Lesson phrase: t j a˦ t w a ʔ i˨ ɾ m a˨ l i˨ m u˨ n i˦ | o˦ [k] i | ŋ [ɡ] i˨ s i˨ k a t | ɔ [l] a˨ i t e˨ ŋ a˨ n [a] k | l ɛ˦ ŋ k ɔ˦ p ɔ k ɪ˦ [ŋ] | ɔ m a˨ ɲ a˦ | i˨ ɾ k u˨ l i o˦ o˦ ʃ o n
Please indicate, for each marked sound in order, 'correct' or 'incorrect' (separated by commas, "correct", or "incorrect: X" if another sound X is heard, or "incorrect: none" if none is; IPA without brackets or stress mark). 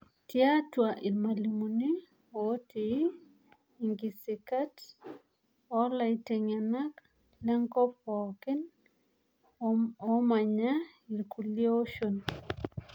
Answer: incorrect: t, correct, correct, correct, incorrect: n